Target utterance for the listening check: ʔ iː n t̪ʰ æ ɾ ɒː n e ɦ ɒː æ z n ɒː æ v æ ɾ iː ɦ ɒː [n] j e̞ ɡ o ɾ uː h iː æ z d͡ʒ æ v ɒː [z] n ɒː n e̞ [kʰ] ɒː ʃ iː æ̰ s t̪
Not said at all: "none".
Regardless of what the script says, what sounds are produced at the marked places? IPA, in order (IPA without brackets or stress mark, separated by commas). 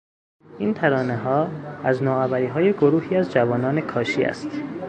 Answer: none, none, kʰ